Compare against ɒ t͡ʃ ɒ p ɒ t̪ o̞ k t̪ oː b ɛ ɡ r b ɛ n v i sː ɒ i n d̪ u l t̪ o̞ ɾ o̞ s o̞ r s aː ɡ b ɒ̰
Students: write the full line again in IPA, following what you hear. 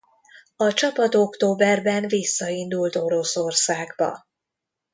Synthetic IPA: ɒ t͡ʃ ɒ p ɒ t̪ o̞ k t̪ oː b ɛ r b ɛ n v i sː ɒ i n d̪ u l t̪ o̞ ɾ o̞ s o̞ r s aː ɡ b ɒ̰